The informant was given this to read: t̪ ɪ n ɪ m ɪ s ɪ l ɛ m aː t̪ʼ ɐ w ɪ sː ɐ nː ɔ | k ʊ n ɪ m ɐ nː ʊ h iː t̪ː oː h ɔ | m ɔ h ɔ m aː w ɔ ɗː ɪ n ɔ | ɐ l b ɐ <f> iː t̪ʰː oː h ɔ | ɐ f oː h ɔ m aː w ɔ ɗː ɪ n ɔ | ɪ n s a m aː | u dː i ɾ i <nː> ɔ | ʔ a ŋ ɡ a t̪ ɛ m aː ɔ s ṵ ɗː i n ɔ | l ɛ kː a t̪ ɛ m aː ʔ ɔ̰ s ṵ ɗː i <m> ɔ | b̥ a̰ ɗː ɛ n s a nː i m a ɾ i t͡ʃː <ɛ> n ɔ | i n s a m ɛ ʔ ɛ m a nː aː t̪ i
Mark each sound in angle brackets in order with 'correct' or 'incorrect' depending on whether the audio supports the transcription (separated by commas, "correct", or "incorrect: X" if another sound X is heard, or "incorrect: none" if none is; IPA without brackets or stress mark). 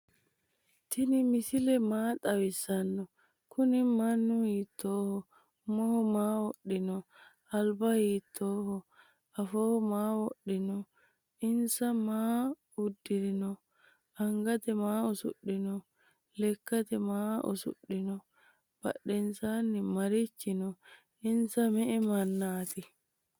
incorrect: h, incorrect: n, incorrect: n, incorrect: i